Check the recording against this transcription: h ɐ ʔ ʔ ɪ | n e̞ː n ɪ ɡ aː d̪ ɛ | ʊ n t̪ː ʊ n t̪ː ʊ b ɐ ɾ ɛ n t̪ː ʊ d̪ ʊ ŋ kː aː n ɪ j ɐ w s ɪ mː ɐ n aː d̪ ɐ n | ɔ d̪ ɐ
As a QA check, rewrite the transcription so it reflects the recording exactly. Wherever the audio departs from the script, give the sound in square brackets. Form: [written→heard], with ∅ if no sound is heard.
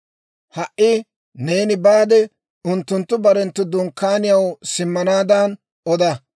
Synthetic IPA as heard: h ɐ ʔ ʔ ɪ | n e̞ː n ɪ [ɡ→b] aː d̪ ɛ | ʊ n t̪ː ʊ n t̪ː ʊ b ɐ ɾ ɛ n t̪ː ʊ d̪ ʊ ŋ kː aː n ɪ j ɐ w s ɪ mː ɐ n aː d̪ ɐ n | ɔ d̪ ɐ